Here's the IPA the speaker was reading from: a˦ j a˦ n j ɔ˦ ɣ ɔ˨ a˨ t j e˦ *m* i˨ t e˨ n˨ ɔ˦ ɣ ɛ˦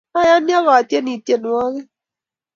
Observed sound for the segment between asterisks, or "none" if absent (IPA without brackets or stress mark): n